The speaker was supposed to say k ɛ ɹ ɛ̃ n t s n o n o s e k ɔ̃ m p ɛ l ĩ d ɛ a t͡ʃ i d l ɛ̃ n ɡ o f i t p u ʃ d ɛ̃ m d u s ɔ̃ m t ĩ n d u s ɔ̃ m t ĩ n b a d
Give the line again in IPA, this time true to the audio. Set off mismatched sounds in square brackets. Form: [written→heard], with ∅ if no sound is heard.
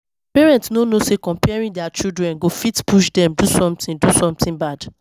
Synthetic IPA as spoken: [k→p] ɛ ɹ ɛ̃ n t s n o n o s e k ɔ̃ m p ɛ [l→ɹ] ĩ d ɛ a t͡ʃ i d [l→ɹ] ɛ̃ n ɡ o f i t p u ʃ d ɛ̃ m d u s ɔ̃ m t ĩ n d u s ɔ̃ m t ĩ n b a d

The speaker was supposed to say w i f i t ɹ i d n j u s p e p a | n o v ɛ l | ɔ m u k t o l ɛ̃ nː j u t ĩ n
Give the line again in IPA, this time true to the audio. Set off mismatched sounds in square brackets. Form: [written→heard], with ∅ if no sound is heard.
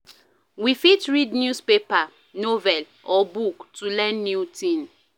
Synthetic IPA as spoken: w i f i t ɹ i d n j u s p e p a | n o v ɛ l | ɔ [m→b] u k t [o→u] l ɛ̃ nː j u t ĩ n

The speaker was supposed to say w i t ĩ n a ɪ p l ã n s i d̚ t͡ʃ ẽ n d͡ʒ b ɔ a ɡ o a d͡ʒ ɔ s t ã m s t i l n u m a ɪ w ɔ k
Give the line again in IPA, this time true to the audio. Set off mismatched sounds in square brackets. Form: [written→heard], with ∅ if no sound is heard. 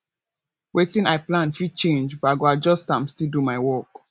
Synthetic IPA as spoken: w [i→e] t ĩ n a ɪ p l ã n [s→f] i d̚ t͡ʃ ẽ n d͡ʒ b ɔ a ɡ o a d͡ʒ ɔ s t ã m s t i l [n→d] u m a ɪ w ɔ k

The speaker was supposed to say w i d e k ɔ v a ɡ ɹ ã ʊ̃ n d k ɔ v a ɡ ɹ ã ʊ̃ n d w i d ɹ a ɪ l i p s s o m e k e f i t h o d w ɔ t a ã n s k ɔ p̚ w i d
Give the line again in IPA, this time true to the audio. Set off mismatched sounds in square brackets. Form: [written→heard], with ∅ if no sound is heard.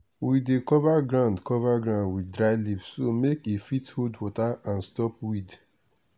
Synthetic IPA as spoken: w i d e k ɔ v a ɡ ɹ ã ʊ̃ n d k ɔ v a ɡ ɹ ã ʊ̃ n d w i d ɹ a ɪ l i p s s o m e k e f i t h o d w ɔ t a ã n s [k→t] ɔ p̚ w i d

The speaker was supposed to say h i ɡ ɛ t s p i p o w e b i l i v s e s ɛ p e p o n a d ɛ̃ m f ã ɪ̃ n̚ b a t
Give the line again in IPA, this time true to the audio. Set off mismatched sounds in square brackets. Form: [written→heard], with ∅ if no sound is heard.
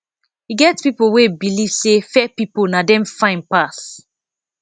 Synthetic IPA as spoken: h i ɡ ɛ t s p i p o w e b i l i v s e [s→f] ɛ p [e→i] p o n a d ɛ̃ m f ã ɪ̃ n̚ [b→p] a [t→s]

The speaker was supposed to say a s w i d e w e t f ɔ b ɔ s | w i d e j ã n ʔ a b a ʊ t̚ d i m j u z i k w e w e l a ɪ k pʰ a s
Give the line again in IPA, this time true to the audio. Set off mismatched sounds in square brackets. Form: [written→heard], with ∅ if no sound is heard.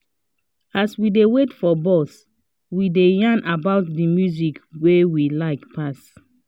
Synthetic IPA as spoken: a s w i d e w e t f ɔ b ɔ s | w i d e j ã n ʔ a b a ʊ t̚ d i m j u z i k w e w [e→i] l a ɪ k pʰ a s

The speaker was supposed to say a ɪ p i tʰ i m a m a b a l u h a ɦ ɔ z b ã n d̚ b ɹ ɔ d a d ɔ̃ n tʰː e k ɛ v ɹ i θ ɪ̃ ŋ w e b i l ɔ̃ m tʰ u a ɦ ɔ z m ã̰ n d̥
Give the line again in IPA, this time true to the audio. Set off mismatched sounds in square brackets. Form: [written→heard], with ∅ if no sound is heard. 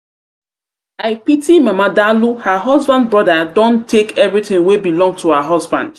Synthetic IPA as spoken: a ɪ p i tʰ i m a m a [b→d] a l u h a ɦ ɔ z b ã n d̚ b ɹ ɔ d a d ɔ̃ n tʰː e k ɛ v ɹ i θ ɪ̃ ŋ w e b i l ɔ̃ [m→ŋ] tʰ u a ɦ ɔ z [m→b] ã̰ n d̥

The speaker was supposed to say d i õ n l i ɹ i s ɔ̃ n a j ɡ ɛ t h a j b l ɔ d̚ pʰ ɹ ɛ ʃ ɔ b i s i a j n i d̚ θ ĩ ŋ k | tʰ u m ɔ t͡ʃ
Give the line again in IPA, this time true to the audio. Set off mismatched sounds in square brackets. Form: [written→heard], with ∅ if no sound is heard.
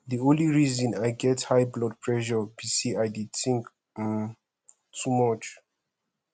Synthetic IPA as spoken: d i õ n l i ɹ i [s→z] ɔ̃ n a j ɡ ɛ t h a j b l ɔ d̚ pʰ ɹ ɛ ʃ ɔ b i s i a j [n→d] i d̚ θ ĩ ŋ k | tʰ u m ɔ t͡ʃ

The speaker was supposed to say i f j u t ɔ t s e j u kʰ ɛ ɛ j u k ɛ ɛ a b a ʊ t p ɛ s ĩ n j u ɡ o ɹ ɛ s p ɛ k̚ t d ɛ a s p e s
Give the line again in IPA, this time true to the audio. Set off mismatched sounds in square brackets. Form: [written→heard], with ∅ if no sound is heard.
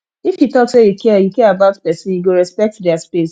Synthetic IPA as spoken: i f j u t ɔ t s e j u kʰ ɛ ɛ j u k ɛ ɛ a b a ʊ t p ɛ s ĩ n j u ɡ o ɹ ɛ s p ɛ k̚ t d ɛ a s p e s

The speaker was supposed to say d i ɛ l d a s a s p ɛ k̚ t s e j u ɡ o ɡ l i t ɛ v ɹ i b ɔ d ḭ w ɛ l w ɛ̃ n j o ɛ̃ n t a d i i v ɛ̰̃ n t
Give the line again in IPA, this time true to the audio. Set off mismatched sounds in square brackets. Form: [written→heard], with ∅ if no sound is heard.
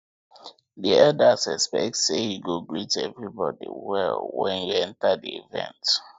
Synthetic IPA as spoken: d i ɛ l d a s [a→ɛ] s p ɛ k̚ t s e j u ɡ o ɡ [l→ɹ] i t ɛ v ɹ i b ɔ d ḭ w ɛ l w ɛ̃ n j [o→u] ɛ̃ n t a d i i v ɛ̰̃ n t

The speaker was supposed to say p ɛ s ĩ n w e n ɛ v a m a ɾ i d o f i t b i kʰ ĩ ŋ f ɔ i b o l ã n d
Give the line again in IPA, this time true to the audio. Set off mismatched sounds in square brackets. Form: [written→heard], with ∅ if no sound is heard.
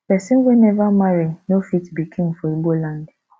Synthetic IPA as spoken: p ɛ s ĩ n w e n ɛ v a m a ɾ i [d→n] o f i t b i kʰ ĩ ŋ f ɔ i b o l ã n d

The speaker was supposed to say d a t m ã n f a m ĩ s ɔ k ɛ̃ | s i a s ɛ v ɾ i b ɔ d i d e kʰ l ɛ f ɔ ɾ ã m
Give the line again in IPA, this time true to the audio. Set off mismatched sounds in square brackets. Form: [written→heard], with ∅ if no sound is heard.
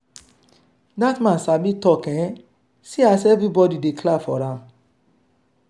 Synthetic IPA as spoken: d a t m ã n [f→s] a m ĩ [s→t] ɔ k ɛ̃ | s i a s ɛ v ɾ i b ɔ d i d e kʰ l [ɛ→a] f ɔ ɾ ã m

